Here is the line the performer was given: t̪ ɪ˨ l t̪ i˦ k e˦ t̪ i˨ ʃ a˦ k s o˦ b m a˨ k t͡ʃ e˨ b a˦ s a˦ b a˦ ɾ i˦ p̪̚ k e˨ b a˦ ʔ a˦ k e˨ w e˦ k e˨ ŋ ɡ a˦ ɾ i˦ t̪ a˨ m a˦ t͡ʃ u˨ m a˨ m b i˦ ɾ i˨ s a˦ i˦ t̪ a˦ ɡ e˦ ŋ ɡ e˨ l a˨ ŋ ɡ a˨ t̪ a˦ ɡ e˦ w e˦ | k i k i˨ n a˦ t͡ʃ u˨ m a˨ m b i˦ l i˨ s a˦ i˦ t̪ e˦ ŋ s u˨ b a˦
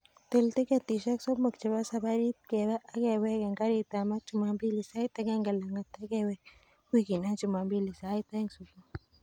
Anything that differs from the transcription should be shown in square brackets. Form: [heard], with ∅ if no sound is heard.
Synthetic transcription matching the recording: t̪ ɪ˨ l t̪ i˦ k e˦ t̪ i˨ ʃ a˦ k s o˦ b m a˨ k t͡ʃ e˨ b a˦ s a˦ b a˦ ɾ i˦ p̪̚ k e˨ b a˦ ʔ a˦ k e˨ w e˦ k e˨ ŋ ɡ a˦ ɾ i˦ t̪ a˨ m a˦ t͡ʃ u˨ m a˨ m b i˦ [l] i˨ s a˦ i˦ t̪ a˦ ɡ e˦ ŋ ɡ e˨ l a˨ ŋ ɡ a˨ t̪ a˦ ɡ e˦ w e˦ | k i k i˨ n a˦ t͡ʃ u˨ m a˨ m b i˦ l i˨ s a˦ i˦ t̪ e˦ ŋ s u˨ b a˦